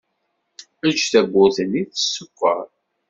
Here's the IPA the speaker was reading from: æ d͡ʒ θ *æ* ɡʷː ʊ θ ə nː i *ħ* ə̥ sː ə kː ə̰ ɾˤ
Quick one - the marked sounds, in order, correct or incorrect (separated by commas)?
correct, incorrect